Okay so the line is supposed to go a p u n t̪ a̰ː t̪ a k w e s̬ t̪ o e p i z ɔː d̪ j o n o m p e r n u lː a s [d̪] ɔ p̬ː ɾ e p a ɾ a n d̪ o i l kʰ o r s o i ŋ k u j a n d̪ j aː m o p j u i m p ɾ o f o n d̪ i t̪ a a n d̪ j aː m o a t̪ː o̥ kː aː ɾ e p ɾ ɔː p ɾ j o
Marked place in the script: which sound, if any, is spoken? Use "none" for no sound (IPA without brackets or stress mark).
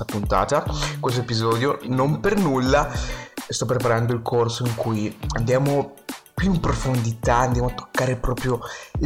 t̪